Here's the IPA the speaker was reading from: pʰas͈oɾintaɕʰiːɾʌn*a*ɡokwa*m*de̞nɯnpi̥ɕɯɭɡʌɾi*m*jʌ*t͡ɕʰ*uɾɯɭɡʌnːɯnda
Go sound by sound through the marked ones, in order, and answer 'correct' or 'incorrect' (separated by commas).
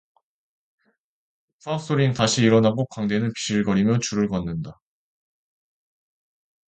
correct, incorrect, correct, incorrect